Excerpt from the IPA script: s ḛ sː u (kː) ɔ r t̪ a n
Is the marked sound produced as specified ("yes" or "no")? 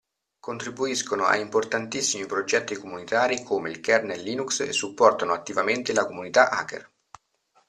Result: no